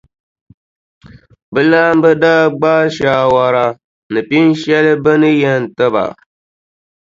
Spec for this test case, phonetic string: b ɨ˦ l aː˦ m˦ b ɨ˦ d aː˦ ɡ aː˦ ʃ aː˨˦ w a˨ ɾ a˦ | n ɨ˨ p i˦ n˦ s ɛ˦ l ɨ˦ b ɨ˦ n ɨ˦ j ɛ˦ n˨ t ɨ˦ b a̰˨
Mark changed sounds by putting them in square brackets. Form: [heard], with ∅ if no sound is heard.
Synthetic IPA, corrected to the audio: b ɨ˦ l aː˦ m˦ b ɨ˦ d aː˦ [ɡ͡b] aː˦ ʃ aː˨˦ w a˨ ɾ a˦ | n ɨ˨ p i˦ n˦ [ʃ] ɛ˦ l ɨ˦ b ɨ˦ n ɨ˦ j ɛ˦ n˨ t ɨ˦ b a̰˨